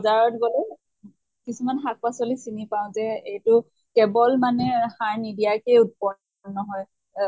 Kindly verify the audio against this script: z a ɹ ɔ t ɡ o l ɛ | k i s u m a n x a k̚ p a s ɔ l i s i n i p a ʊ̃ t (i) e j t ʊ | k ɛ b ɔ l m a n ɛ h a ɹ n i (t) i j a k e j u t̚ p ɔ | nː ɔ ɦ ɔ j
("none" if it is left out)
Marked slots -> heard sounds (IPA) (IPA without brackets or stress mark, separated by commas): ɛ, d